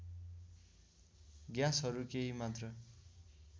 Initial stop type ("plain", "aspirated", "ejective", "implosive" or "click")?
plain